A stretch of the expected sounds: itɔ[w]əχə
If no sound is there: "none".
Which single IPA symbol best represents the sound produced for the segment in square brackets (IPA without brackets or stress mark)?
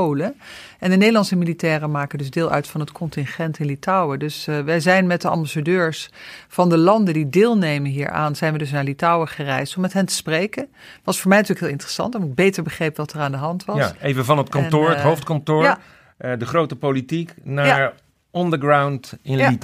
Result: w